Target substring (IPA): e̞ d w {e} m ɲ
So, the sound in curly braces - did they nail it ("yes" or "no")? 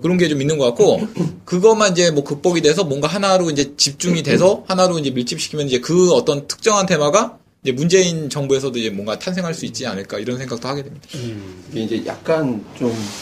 yes